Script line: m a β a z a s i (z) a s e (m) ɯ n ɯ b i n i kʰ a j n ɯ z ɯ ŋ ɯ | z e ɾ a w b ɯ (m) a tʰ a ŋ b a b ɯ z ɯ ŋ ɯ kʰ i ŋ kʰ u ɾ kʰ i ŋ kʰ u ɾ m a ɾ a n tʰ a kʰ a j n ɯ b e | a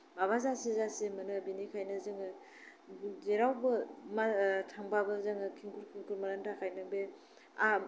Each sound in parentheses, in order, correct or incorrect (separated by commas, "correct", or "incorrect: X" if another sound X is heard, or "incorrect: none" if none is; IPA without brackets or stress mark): correct, correct, correct